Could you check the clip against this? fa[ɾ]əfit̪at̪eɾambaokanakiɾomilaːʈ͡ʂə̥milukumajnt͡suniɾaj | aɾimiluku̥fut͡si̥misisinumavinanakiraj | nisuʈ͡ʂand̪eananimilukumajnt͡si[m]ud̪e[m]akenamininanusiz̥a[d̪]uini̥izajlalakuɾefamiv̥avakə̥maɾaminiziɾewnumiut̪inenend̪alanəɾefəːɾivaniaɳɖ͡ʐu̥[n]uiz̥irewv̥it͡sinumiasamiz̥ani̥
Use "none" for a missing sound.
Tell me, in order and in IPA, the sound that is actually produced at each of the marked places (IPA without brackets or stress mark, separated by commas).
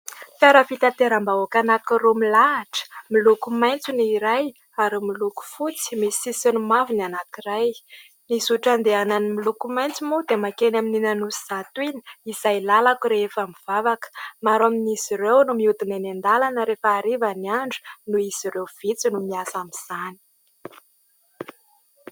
ɾ, m, m, t̪, n